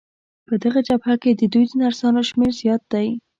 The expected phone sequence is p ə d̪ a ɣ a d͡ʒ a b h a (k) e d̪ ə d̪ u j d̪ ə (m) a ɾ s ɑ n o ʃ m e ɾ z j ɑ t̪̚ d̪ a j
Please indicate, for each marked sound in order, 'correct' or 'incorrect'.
correct, incorrect: n

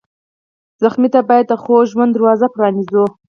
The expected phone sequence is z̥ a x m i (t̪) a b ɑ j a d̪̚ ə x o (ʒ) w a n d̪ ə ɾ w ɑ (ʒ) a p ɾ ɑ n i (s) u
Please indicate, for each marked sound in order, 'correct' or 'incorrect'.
correct, correct, incorrect: z, incorrect: z

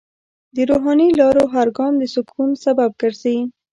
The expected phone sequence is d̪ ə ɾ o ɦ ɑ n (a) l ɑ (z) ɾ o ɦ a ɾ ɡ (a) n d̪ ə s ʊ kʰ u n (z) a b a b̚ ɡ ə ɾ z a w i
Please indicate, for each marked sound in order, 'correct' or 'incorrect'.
incorrect: i, incorrect: none, incorrect: ɑ, incorrect: s

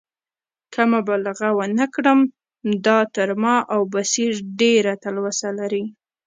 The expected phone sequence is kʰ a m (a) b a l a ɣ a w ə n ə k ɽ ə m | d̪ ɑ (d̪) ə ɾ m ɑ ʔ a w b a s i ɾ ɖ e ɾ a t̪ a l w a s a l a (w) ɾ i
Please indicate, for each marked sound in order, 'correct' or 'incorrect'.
correct, incorrect: t̪, incorrect: none

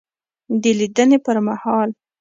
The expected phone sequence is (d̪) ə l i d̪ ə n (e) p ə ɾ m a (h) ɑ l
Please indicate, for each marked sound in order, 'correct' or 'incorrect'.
correct, correct, correct

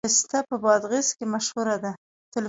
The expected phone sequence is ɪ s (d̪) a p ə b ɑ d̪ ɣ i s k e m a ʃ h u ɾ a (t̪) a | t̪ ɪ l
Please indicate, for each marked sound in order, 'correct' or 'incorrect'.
incorrect: t̪, incorrect: d̪

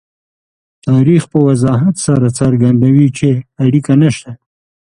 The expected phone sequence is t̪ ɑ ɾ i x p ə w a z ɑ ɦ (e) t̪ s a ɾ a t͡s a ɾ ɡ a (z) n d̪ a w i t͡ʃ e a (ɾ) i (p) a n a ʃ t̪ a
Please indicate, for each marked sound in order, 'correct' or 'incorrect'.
incorrect: a, incorrect: none, incorrect: ɽ, incorrect: k

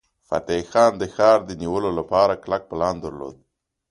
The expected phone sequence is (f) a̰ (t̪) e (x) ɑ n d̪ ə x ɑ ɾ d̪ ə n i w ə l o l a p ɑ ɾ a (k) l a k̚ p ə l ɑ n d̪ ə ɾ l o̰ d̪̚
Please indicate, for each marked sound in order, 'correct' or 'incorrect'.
correct, correct, correct, correct

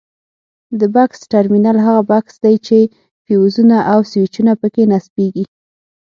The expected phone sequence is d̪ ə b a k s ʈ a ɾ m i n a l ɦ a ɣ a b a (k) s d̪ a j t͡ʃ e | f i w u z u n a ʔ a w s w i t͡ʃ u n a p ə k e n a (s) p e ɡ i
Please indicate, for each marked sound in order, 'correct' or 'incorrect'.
correct, correct

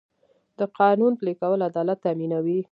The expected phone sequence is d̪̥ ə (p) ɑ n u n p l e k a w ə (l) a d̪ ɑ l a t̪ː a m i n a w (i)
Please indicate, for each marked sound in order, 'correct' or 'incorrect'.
incorrect: q, correct, correct

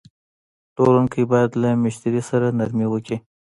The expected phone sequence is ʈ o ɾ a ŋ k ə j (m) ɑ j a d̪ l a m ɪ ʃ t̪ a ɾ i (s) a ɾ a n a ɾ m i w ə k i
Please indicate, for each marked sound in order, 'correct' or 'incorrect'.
incorrect: b, correct

